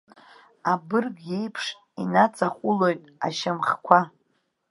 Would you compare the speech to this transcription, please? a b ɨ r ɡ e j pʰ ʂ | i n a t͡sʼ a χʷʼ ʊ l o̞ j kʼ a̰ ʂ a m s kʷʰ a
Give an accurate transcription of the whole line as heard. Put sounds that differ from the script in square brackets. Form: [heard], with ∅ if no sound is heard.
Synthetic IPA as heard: a b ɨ r ɡ e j pʰ ʂ | i n a t͡sʼ a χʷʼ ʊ l o̞ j [tʼ] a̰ [ʃ] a m [χ] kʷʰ a